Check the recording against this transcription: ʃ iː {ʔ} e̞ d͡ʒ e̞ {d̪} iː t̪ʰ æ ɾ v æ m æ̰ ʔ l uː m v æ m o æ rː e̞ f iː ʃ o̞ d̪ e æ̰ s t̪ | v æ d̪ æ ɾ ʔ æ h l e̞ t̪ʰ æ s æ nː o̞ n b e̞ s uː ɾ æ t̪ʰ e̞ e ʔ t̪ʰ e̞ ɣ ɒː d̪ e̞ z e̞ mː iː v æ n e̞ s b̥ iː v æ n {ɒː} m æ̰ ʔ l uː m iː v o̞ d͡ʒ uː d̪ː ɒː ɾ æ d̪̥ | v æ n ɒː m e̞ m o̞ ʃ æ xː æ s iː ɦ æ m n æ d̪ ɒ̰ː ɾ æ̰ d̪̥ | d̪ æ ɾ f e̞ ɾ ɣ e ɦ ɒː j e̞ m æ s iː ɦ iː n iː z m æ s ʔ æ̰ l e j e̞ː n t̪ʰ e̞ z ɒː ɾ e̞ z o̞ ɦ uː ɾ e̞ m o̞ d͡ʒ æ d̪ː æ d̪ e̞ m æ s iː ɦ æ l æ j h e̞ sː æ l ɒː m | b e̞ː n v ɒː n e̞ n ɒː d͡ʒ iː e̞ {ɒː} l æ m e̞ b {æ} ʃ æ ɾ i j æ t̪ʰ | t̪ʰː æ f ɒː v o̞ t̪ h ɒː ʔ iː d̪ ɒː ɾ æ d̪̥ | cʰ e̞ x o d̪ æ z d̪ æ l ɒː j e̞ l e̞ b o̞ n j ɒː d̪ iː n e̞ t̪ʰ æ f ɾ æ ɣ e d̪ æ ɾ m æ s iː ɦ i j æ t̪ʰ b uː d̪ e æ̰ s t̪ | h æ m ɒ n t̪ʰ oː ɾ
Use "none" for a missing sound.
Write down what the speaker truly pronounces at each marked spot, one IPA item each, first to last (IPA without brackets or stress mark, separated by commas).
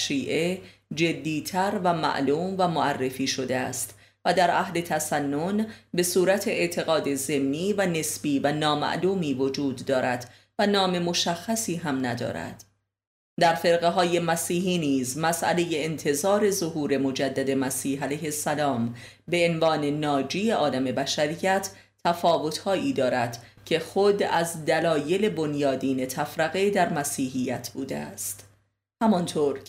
ʔ, d̪ː, ɒː, ɒː, æ